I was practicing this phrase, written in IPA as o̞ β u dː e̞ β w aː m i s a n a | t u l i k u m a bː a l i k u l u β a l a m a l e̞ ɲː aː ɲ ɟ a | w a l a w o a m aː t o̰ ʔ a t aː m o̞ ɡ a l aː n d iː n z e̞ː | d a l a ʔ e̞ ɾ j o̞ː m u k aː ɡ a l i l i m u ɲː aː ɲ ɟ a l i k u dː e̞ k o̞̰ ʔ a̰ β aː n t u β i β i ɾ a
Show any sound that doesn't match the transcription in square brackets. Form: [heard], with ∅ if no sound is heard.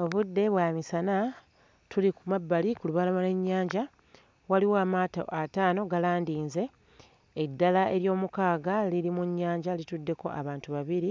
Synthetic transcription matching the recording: o̞ β u dː e̞ β w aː m i s a n a | t u l i k u m a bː a l i k u l u β a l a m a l e̞ ɲː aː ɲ ɟ a | w a l [i] w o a m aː t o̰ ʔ a t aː [n] o̞ ɡ a l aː n d iː n z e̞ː | [dː] a l a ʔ e̞ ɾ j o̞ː m u k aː ɡ a l i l i m u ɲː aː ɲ ɟ a l i [t] u dː e̞ k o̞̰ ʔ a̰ β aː n t u β [a] β i ɾ [i]